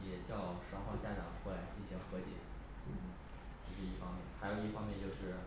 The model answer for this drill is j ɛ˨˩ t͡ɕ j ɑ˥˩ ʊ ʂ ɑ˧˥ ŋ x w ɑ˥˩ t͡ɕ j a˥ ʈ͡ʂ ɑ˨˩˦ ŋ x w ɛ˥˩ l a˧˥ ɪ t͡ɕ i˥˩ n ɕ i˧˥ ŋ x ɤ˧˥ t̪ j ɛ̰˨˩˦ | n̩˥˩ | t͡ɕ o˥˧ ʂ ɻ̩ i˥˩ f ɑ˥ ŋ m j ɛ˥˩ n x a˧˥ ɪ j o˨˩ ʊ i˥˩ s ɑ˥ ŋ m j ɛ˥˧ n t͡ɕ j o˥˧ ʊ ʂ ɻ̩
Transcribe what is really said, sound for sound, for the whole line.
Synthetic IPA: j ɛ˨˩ t͡ɕ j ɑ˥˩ ʊ ʂ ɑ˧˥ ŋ x w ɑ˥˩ t͡ɕ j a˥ ʈ͡ʂ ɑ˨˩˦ ŋ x w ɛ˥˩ l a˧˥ ɪ t͡ɕ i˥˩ n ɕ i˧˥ ŋ x ɤ˧˥ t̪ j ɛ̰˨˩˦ | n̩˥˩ | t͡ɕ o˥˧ ʂ ɻ̩ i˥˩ f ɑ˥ ŋ m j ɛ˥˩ n x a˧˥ ɪ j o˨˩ ʊ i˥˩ f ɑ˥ ŋ m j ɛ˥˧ n t͡ɕ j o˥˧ ʊ ʂ ɻ̩